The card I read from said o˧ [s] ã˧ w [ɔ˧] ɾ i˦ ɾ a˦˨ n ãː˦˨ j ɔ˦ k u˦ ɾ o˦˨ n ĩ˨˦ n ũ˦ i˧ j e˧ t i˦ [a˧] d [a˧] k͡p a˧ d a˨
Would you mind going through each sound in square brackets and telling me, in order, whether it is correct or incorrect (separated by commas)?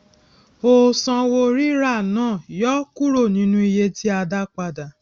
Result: correct, incorrect, correct, correct